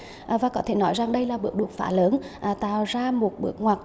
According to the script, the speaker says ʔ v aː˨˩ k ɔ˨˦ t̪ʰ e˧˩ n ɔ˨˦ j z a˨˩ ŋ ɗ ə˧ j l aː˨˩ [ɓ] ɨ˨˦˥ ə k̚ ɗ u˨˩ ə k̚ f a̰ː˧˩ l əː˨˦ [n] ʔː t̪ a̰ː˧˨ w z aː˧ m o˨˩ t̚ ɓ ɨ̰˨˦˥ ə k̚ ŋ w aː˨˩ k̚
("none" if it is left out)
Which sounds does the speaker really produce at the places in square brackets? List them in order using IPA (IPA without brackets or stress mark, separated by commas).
ɓ, n